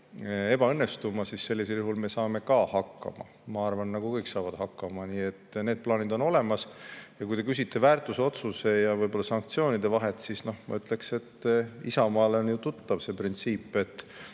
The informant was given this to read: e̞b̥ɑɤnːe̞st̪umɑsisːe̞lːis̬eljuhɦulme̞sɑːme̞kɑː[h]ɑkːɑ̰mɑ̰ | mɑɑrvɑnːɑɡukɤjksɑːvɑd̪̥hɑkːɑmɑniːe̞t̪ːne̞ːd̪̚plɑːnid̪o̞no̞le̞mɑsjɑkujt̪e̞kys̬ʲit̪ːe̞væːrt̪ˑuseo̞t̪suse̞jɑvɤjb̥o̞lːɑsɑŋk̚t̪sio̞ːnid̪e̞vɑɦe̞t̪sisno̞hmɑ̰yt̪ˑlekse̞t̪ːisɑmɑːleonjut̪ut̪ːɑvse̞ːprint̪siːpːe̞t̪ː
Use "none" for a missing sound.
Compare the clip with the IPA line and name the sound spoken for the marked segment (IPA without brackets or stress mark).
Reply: h